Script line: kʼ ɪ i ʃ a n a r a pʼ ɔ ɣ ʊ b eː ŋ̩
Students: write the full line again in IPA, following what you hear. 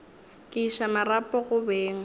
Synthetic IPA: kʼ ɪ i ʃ a m a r a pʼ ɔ ɣ ʊ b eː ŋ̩